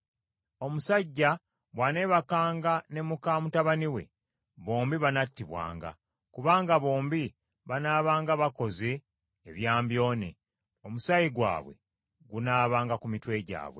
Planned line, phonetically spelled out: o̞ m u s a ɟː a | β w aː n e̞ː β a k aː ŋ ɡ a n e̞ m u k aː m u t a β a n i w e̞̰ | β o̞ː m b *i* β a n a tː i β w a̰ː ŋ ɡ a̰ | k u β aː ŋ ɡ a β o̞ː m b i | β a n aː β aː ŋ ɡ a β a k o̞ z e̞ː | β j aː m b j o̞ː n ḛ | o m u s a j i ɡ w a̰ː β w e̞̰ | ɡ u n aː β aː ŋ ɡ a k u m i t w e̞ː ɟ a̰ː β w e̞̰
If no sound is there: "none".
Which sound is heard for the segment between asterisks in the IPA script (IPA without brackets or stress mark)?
i